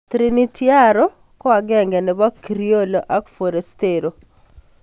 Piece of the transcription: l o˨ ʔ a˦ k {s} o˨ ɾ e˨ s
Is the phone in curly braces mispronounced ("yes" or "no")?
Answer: yes